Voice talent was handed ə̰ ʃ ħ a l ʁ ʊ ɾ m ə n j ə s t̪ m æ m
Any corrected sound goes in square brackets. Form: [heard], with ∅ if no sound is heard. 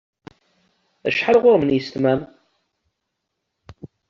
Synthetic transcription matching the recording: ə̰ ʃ ħ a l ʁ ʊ ɾ m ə n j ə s t̪ m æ m